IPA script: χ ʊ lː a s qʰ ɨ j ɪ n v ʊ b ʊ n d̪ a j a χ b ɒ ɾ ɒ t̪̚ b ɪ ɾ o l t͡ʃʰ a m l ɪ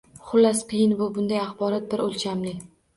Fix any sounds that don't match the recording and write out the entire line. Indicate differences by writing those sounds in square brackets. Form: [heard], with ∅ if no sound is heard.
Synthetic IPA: χ ʊ lː a s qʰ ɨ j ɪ n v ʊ b ʊ n d̪ a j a χ b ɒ ɾ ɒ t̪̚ b ɪ ɾ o l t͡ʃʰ a m l ɪ